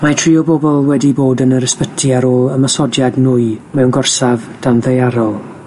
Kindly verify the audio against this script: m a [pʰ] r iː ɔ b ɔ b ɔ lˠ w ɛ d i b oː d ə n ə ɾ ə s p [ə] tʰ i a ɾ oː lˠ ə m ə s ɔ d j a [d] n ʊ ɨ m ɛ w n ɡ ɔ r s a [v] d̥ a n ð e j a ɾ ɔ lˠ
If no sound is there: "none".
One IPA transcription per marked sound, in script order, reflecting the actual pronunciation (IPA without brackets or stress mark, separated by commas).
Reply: tʰ, ə, d, v